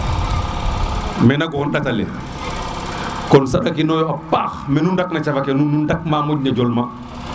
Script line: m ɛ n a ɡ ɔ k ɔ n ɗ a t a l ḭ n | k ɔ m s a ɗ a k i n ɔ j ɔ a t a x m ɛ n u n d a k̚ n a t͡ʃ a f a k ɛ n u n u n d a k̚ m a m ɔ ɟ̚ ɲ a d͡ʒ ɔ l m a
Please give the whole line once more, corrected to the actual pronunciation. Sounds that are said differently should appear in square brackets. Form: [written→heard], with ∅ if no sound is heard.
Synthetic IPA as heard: m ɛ n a ɡ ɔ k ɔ n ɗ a t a l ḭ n | k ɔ [m→n] s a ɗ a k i n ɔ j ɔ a [t→p] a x m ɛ n u n d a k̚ n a t͡ʃ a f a k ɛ n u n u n d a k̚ m a m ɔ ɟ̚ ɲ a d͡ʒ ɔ l m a